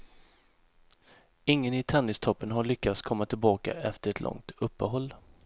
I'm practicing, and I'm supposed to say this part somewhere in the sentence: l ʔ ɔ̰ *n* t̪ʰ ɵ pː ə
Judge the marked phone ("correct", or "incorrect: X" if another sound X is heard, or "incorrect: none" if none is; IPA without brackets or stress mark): incorrect: ŋ